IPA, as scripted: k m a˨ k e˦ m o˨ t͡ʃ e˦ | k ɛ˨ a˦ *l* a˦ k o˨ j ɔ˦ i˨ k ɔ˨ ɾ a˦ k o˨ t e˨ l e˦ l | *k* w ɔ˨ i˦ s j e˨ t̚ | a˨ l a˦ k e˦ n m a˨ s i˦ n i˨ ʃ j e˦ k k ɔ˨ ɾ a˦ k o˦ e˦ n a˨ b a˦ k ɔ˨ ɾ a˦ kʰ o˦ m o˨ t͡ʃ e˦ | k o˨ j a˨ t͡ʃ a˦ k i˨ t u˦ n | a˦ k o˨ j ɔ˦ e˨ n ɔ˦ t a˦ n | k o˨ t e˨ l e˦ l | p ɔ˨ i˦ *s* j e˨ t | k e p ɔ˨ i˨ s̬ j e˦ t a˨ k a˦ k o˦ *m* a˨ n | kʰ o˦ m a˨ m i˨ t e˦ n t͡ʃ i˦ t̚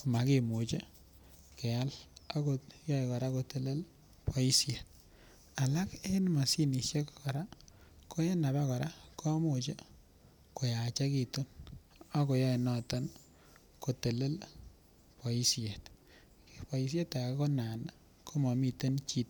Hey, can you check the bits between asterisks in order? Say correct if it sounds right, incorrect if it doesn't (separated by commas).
correct, incorrect, correct, incorrect